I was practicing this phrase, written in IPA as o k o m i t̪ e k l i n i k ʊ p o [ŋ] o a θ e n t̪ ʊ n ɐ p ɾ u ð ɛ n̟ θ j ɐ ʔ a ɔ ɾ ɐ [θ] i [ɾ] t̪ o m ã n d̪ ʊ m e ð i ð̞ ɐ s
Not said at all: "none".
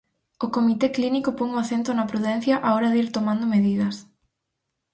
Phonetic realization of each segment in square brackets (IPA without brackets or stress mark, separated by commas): ŋ, ð, ɾ